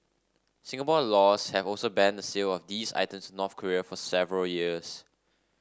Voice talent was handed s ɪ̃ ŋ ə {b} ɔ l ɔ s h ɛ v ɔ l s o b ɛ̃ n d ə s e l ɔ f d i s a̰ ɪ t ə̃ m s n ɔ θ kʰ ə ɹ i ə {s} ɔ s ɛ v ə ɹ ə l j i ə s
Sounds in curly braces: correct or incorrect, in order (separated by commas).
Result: incorrect, incorrect